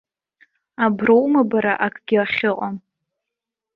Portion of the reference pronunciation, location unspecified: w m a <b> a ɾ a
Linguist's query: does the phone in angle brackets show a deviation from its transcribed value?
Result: no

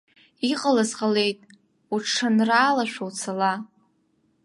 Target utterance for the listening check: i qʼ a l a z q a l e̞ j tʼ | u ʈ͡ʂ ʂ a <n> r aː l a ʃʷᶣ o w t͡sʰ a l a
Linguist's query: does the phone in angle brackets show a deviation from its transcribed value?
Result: no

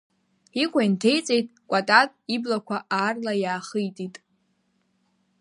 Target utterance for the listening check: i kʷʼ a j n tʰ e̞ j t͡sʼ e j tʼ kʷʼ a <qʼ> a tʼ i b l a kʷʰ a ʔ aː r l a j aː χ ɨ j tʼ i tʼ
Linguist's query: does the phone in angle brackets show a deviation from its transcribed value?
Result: yes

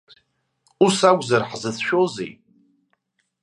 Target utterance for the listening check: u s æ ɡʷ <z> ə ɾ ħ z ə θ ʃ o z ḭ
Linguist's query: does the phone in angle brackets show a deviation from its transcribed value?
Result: no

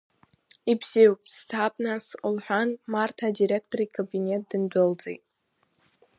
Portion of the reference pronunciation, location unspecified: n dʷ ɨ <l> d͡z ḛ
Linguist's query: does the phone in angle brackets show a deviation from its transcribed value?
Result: no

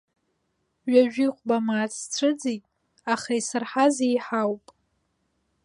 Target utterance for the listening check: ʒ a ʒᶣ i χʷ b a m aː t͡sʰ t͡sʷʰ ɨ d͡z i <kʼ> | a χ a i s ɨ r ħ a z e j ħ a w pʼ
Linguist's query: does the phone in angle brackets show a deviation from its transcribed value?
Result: yes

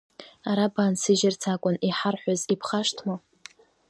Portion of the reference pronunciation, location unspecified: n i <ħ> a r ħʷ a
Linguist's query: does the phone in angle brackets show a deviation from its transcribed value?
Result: no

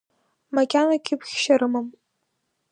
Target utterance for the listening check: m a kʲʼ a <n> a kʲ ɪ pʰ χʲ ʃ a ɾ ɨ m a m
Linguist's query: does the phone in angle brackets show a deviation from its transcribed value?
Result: no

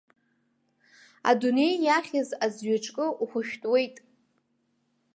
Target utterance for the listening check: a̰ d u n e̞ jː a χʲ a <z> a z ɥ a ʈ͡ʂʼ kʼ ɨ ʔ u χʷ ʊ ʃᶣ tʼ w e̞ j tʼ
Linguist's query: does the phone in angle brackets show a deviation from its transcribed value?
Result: no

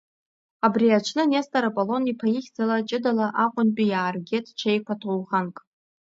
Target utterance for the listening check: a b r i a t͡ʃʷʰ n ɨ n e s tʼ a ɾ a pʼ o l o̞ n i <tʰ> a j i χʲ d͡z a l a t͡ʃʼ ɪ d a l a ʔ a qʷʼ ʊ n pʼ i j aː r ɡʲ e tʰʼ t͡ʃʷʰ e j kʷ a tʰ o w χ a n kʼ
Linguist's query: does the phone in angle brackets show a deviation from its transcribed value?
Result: yes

